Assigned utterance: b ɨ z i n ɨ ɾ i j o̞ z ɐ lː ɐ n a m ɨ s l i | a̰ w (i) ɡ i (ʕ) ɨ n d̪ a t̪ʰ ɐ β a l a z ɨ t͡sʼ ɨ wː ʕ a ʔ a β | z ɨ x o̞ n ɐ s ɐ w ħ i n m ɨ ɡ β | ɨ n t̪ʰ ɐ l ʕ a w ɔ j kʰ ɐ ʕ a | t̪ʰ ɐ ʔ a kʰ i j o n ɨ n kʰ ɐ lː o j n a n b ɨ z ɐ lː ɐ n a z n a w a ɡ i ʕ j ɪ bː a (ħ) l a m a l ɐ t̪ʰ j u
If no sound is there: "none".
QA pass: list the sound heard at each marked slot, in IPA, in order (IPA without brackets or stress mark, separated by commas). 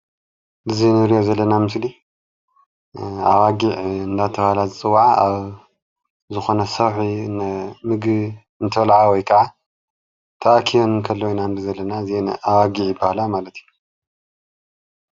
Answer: a, ʕ, h